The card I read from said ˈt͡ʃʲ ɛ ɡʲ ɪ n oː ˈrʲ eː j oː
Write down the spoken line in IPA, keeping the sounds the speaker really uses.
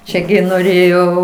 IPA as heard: ˈt͡ʃʲ ɛ ɡʲ ɪ n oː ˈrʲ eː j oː